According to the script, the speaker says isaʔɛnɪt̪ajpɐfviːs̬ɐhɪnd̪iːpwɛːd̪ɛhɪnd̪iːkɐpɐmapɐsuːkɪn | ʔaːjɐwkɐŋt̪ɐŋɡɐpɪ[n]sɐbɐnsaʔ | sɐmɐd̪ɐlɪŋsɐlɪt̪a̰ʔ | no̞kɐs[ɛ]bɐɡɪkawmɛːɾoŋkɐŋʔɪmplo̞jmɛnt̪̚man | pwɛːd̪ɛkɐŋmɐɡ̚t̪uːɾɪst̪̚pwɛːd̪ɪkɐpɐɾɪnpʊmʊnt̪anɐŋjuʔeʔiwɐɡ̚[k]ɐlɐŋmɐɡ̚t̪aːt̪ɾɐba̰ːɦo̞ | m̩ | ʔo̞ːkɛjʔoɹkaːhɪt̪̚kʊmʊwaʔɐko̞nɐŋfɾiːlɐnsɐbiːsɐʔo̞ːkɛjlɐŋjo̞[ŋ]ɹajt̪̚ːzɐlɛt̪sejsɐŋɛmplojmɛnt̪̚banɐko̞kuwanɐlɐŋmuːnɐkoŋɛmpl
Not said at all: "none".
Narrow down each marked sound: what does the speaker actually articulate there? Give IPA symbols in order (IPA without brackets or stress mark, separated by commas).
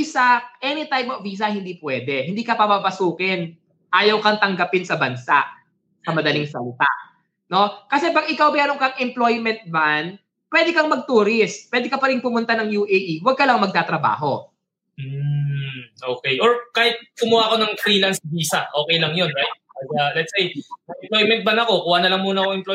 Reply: n, ɛ, k, n